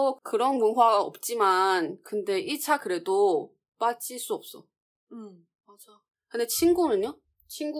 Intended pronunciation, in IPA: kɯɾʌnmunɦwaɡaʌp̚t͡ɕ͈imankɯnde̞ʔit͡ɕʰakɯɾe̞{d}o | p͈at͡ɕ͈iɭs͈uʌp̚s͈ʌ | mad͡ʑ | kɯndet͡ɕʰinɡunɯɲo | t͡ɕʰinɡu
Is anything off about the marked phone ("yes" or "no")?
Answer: no